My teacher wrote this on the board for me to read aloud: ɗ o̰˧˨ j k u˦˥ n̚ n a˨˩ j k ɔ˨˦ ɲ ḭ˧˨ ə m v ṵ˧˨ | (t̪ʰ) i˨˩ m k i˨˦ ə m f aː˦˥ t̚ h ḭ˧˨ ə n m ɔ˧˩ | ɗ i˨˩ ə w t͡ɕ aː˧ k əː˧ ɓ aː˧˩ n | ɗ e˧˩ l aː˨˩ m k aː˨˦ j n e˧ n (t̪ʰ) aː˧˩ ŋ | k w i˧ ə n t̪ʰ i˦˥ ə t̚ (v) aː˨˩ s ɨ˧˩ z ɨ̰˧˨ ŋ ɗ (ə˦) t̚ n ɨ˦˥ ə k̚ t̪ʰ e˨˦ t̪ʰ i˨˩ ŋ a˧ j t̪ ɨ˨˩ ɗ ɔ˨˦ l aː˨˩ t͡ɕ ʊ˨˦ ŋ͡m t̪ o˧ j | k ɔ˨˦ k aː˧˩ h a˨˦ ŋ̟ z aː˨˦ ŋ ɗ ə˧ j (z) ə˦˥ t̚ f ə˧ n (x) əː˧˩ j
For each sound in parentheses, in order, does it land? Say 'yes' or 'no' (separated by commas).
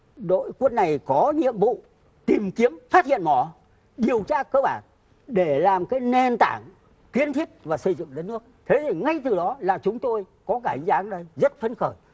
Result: no, no, yes, yes, yes, yes